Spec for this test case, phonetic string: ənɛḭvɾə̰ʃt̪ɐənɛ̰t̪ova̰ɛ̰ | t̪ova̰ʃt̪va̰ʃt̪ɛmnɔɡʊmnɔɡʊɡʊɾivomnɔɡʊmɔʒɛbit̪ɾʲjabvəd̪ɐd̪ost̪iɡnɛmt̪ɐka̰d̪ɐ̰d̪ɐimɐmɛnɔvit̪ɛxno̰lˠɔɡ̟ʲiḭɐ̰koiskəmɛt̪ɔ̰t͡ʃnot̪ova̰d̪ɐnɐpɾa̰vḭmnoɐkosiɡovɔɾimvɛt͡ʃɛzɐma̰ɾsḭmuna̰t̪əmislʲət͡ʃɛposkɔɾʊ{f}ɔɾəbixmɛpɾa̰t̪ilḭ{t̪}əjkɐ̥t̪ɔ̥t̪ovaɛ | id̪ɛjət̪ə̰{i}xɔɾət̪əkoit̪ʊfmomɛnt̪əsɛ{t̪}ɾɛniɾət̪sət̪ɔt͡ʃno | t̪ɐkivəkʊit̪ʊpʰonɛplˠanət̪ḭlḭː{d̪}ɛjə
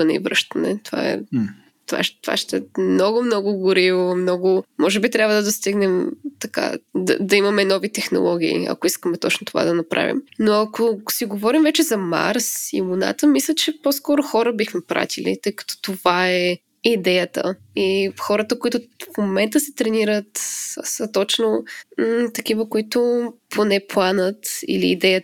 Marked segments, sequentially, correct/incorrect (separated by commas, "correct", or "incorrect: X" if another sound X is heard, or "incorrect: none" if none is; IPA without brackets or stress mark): incorrect: x, correct, correct, correct, correct